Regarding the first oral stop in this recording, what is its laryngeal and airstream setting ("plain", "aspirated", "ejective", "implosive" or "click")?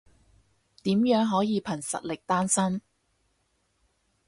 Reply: plain